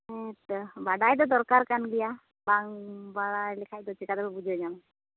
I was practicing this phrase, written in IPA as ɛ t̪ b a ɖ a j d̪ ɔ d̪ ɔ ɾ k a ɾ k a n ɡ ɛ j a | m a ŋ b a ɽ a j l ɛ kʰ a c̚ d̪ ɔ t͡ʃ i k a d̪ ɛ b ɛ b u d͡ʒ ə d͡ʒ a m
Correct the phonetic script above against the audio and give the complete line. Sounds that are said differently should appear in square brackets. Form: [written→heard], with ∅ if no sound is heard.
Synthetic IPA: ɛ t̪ b a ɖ a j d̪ ɔ d̪ ɔ ɾ k a ɾ k a n ɡ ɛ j a | [m→b] a ŋ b a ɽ a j l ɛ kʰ a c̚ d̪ ɔ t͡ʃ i k a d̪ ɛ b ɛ b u d͡ʒ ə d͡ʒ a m